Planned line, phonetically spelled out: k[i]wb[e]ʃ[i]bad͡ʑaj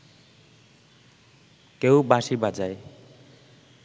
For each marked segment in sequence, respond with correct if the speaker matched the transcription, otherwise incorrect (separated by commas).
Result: incorrect, incorrect, correct